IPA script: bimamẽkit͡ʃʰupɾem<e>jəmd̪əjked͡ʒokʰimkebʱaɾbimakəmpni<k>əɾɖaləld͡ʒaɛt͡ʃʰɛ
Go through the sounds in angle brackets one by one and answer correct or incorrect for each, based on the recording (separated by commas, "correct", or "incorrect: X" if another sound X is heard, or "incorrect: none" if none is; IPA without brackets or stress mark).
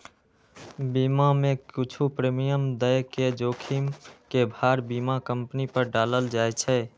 incorrect: i, incorrect: p